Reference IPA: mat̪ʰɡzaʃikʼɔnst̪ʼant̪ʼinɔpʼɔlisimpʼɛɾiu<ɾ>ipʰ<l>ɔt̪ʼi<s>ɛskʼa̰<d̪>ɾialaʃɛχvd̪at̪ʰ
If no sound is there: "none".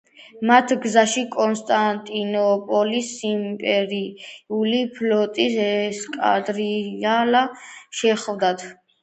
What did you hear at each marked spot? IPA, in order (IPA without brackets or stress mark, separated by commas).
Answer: l, l, s, d̪